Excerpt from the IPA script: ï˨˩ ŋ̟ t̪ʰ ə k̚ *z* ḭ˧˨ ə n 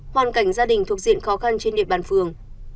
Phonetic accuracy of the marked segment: correct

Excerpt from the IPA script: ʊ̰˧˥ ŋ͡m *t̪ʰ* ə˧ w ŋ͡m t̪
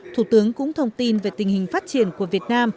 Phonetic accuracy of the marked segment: correct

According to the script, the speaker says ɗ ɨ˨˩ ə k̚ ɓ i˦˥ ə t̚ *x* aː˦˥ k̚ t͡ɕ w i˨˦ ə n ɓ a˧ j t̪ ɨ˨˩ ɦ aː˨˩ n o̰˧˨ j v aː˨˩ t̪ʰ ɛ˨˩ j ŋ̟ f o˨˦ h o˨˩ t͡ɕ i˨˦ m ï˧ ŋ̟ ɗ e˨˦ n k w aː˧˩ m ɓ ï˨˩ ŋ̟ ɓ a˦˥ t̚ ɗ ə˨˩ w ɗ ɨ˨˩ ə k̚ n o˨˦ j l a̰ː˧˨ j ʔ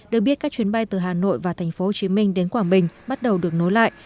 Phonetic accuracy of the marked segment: incorrect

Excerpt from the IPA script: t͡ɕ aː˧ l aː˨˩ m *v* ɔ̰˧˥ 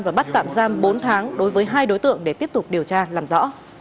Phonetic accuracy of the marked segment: incorrect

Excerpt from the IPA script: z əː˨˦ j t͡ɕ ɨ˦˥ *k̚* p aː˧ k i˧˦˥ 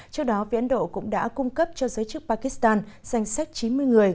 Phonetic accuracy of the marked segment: correct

